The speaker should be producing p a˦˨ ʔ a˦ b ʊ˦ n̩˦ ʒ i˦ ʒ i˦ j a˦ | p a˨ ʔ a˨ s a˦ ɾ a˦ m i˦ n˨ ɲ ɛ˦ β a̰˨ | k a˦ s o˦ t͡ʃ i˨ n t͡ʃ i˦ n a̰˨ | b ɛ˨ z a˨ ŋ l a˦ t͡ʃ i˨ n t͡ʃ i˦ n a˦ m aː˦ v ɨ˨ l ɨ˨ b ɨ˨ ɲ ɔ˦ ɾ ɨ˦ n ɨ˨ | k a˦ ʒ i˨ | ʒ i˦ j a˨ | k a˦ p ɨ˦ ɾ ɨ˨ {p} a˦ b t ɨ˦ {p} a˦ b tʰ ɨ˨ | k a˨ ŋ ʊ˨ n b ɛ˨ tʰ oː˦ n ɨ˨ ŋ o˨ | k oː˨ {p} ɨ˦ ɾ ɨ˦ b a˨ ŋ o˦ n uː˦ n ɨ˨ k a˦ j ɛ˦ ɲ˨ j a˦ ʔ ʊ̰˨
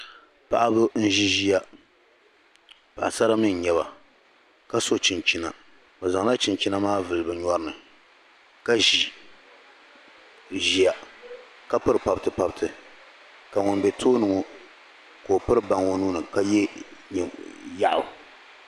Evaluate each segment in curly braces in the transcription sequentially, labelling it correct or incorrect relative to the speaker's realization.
correct, correct, correct

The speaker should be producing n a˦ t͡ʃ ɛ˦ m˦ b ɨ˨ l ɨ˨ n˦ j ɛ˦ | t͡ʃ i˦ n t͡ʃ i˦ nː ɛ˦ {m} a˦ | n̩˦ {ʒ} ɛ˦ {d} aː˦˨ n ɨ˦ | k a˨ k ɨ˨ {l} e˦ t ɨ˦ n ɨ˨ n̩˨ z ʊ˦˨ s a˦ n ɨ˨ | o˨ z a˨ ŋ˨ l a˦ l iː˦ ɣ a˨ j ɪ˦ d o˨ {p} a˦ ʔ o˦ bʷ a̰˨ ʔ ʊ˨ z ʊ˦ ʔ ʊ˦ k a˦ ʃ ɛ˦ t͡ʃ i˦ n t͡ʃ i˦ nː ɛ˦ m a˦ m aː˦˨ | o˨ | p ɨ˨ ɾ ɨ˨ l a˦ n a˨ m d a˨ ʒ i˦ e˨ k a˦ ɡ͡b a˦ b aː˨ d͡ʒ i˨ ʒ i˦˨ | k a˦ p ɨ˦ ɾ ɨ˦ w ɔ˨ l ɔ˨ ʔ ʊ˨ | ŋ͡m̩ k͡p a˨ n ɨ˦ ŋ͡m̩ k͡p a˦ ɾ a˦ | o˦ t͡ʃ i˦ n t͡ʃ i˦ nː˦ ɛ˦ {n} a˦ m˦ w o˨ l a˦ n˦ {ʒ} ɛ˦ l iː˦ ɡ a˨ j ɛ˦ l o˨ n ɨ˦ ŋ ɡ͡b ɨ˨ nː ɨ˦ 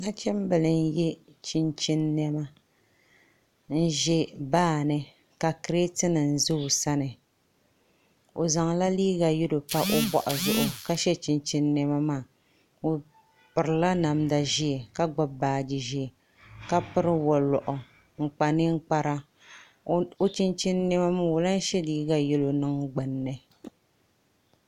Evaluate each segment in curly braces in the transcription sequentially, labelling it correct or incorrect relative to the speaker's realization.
correct, correct, incorrect: b, incorrect: ɾ, correct, incorrect: m, incorrect: ʃ

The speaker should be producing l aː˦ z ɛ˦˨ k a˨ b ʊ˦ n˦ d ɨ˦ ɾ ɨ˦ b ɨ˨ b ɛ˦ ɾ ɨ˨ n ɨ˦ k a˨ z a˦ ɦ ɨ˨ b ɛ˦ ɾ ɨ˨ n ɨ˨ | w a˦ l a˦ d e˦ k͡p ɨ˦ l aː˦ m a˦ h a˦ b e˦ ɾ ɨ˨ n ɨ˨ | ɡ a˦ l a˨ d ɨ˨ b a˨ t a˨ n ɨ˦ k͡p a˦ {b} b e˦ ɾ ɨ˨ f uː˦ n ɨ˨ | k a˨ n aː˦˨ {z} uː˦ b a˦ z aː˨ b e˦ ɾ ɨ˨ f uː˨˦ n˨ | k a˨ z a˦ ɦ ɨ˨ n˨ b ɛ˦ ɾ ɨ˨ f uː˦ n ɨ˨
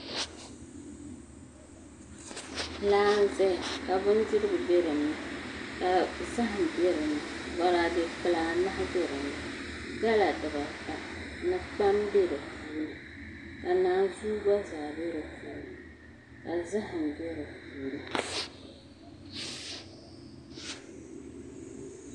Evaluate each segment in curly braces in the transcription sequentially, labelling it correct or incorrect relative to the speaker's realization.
incorrect: m, correct

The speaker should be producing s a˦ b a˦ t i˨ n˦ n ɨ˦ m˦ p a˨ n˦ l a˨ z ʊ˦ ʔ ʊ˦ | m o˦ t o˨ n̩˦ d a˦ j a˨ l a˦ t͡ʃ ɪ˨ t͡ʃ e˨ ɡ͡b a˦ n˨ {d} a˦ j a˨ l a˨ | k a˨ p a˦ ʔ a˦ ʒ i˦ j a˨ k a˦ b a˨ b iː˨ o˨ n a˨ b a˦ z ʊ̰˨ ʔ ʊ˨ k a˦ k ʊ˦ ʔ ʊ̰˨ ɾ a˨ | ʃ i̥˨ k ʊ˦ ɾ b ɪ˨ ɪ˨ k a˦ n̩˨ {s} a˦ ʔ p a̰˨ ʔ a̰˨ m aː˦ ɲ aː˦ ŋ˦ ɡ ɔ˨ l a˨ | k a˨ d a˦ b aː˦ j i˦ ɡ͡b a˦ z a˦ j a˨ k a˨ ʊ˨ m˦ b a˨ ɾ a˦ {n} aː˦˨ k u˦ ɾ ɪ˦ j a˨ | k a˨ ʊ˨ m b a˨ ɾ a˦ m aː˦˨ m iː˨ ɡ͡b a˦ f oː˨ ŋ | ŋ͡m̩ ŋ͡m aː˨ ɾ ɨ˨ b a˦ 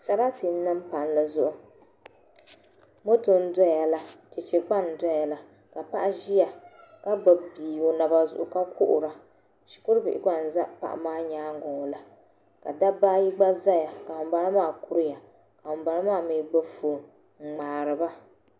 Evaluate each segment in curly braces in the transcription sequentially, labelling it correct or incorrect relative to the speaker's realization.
correct, incorrect: z, incorrect: m

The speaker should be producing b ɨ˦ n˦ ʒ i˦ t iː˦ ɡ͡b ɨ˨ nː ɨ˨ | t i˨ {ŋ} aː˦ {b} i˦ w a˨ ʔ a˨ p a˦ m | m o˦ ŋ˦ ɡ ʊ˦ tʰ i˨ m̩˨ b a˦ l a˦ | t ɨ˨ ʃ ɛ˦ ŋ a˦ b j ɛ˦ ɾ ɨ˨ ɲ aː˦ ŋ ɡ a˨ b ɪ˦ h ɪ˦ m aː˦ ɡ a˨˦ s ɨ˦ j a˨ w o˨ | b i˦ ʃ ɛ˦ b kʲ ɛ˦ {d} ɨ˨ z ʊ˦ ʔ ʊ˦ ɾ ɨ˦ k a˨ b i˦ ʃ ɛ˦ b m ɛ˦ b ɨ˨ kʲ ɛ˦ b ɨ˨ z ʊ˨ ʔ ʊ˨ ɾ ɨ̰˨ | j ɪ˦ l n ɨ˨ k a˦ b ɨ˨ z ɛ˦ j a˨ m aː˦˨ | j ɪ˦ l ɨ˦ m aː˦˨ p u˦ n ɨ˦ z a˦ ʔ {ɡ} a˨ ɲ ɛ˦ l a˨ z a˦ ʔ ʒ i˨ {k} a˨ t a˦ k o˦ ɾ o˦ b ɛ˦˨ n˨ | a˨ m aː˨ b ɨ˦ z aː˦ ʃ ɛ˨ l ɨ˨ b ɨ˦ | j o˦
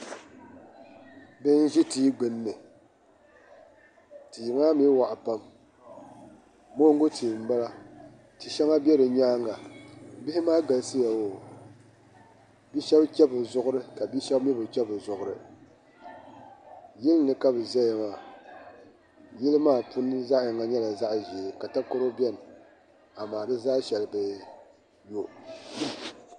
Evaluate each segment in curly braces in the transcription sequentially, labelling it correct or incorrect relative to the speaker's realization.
correct, incorrect: m, incorrect: b, incorrect: ŋ, correct

